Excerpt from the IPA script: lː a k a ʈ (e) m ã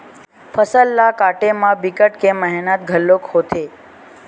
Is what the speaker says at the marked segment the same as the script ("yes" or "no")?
yes